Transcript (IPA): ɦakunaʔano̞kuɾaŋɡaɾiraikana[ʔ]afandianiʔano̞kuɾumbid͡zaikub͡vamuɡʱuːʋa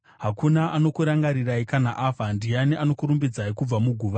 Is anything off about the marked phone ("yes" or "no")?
no